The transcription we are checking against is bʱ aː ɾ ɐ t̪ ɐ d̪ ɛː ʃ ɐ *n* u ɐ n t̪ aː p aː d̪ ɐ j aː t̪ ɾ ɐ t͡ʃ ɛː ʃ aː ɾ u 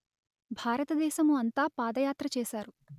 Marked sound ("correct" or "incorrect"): incorrect